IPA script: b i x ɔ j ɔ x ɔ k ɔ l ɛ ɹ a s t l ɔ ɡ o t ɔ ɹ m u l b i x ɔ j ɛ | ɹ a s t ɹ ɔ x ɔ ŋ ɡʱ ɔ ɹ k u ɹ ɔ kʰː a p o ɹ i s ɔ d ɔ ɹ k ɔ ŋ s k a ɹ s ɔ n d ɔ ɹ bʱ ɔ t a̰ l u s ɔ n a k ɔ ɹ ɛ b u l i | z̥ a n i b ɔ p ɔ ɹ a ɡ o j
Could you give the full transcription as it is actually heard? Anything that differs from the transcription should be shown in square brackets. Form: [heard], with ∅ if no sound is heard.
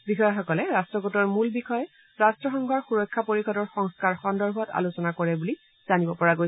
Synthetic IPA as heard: b i x ɔ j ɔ x ɔ k ɔ l ɛ ɹ a s t [ɹ] ɔ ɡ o t ɔ ɹ m u l b i x ɔ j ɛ | ɹ a s t ɹ ɔ x ɔ ŋ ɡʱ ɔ ɹ [x] u ɹ ɔ kʰː a p o ɹ i [x] ɔ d ɔ ɹ [x] ɔ ŋ s k a ɹ [x] ɔ n d ɔ ɹ bʱ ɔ t a̰ l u s ɔ n a k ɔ ɹ ɛ b u l i | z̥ a n i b ɔ p ɔ ɹ a ɡ o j